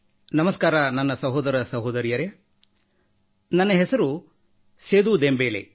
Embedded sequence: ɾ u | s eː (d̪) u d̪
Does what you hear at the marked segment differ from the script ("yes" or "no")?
no